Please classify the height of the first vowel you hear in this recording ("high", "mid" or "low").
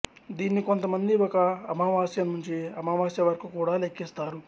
high